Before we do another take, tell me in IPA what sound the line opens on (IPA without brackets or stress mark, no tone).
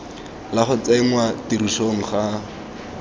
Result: l